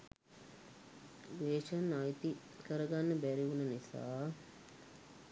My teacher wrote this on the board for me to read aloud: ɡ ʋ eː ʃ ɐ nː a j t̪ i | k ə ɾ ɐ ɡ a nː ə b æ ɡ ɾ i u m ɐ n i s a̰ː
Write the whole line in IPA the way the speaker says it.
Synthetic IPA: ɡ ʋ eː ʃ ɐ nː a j t̪ i | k ə ɾ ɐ ɡ a nː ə b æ ɾ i u n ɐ n i s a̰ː